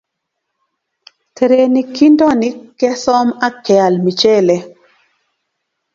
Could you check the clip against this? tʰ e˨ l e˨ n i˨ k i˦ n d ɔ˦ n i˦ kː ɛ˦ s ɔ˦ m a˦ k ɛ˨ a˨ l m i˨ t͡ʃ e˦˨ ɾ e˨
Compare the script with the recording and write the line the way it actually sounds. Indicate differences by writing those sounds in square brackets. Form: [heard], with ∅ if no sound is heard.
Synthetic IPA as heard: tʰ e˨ [ɾ] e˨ n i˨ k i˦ n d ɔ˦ n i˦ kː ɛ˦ s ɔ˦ m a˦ k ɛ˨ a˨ l m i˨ t͡ʃ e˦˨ [l] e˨